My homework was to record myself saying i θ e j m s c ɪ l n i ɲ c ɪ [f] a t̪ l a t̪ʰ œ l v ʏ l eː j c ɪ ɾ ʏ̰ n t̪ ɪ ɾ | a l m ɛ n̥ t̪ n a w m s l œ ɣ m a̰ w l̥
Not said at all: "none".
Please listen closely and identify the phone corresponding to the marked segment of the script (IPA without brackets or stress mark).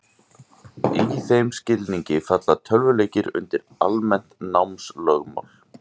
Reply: f